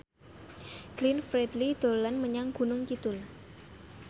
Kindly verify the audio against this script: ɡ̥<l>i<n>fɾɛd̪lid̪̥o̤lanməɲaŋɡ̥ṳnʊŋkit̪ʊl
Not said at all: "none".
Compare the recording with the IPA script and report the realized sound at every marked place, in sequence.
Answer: l, n

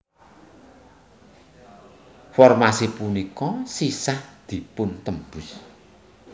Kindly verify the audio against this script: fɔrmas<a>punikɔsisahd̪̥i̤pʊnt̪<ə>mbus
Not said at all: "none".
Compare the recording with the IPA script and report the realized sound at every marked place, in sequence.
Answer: i, ə

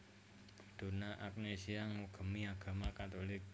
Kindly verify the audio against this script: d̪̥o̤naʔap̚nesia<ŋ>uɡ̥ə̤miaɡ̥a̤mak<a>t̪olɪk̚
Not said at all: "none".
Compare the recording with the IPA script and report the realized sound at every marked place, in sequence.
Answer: ŋ, a

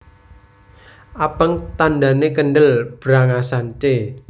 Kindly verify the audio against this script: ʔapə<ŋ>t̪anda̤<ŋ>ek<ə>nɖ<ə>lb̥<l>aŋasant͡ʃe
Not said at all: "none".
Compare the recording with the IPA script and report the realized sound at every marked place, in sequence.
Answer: ŋ, n, ə, ə, ɾ

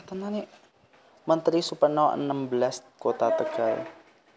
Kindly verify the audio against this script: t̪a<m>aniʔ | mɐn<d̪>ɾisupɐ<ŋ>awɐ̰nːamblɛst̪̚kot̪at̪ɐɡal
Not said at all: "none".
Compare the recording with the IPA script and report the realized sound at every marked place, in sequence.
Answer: n, t̪, n

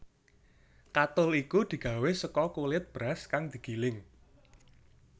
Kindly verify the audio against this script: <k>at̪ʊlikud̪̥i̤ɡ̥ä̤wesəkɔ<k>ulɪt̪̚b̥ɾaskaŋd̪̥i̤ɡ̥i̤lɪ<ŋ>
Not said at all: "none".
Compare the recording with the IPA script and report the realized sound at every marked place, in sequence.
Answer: k, k, ŋ

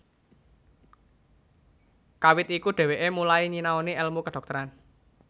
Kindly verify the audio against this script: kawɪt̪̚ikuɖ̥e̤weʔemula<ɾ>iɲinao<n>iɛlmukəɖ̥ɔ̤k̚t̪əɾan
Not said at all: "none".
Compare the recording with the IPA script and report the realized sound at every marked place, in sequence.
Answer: none, n

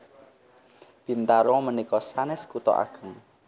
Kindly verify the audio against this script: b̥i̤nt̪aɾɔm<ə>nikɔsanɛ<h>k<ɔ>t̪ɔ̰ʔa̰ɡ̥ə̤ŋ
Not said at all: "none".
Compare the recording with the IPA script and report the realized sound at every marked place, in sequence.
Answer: ə, s, u

